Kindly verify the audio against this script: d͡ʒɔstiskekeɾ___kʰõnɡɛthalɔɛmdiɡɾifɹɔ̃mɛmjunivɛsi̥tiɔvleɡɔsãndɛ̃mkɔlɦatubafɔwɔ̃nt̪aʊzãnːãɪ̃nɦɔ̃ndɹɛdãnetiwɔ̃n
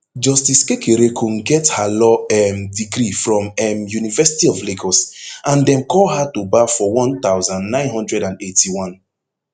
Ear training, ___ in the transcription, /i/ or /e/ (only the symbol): e